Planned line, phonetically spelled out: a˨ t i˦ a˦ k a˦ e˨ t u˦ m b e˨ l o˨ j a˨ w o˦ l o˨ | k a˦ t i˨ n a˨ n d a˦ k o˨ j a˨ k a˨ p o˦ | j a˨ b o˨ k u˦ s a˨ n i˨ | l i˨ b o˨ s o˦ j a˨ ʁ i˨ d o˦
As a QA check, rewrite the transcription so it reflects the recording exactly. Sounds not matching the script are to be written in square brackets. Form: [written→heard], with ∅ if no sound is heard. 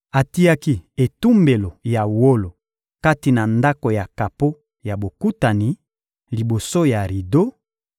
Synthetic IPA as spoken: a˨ t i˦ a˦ k [a˦→i˦] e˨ t u˦ m b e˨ l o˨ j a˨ w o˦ l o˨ | k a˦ t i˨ n a˨ n d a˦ k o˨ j a˨ k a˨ p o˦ | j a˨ b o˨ k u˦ [s→t] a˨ n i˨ | l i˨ b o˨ s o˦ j a˨ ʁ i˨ d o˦